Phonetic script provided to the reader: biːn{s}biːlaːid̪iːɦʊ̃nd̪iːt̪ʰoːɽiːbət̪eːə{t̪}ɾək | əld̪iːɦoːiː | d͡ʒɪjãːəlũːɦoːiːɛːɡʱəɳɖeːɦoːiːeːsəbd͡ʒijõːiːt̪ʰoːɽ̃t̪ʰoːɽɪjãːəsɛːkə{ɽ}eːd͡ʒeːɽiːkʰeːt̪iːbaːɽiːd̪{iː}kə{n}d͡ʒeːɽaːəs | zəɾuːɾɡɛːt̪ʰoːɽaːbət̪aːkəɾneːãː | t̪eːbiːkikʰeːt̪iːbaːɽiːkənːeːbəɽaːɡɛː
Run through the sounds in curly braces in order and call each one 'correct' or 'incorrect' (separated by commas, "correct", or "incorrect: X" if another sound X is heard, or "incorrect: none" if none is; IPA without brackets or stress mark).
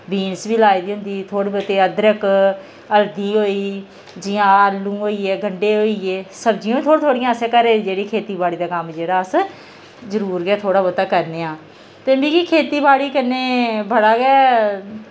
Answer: correct, incorrect: d̪, incorrect: ɾ, incorrect: aː, incorrect: m